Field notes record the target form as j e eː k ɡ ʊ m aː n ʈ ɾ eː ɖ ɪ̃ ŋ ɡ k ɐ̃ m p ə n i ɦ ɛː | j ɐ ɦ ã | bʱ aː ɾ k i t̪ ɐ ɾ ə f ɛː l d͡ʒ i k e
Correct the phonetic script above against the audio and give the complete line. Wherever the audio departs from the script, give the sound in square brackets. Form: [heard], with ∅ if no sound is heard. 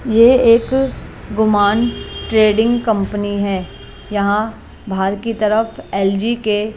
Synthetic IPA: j e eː k ɡ ʊ m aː n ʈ ɾ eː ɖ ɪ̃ ŋ ɡ k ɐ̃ m p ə n i ɦ ɛː | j ɐ ɦ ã | bʱ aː ɾ k i t̪ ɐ ɾ ə f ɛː l d͡ʒ i k e

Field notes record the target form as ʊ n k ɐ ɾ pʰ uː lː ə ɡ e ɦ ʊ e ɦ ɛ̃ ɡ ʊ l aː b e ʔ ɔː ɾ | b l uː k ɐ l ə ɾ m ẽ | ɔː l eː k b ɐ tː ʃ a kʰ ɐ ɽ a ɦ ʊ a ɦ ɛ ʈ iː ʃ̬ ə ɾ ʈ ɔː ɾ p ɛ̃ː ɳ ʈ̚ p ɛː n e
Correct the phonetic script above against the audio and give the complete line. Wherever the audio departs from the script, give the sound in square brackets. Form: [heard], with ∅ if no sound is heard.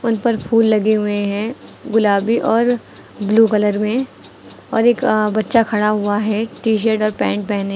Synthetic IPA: ʊ n [p] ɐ ɾ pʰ uː lː [ɐ] ɡ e ɦ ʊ e ɦ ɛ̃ ɡ ʊ l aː b [i] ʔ ɔː ɾ | b l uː k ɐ l ə ɾ m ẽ | ɔː [ɾ] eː k b ɐ tː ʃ a kʰ ɐ ɽ a ɦ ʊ a ɦ ɛ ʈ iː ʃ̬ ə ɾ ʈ ɔː ɾ p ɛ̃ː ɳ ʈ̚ p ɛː n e

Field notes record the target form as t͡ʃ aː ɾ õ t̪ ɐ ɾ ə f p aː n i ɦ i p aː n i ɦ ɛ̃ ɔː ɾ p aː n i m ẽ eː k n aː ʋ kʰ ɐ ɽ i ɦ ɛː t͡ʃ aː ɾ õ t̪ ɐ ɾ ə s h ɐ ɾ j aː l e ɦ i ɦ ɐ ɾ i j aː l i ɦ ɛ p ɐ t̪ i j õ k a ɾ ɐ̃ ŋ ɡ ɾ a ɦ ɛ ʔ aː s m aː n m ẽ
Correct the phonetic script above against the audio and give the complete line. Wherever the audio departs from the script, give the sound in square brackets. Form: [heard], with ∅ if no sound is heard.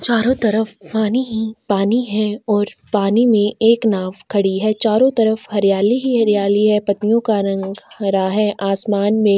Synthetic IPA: t͡ʃ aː ɾ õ t̪ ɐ ɾ ə f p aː n i ɦ i p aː n i ɦ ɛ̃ ɔː ɾ p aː n i m ẽ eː k n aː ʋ kʰ ɐ ɽ i ɦ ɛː t͡ʃ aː ɾ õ t̪ ɐ ɾ ə [f] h ɐ ɾ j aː l [i] ɦ i ɦ ɐ ɾ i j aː l i ɦ ɛ p ɐ t̪ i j õ k a ɾ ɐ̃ ŋ ɡ ɾ a ɦ ɛ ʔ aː s m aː n m ẽ

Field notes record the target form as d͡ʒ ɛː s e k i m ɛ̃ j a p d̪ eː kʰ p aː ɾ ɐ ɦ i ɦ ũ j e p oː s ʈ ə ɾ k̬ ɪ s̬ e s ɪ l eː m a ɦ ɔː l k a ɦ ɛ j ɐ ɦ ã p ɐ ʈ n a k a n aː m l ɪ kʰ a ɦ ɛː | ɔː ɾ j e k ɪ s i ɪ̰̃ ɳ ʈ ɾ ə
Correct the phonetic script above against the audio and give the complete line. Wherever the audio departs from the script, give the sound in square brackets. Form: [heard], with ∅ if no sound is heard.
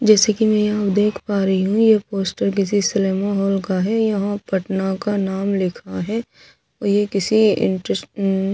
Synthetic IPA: d͡ʒ ɛː s e k i m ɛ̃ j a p d̪ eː kʰ p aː ɾ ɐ ɦ i ɦ ũ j e p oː s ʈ ə ɾ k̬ ɪ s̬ [i] s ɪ l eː m a ɦ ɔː l k a ɦ ɛ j ɐ ɦ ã p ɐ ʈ n a k a n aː m l ɪ kʰ a ɦ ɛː | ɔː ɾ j e k ɪ s i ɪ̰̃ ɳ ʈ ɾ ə

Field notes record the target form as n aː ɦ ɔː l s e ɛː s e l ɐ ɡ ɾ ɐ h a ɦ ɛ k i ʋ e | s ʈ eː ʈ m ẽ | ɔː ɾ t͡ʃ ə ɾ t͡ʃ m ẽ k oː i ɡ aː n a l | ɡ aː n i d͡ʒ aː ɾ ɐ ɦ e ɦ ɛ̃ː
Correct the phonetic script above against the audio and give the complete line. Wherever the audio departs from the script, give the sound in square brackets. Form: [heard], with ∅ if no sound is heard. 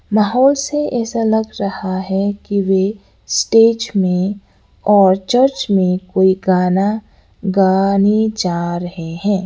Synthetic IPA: [m] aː ɦ ɔː l s e ɛː s [a] l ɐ ɡ ɾ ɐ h a ɦ ɛ k i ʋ e | s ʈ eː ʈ m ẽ | ɔː ɾ t͡ʃ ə ɾ t͡ʃ m ẽ k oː i ɡ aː n a [∅] | ɡ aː n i d͡ʒ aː ɾ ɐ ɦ e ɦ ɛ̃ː

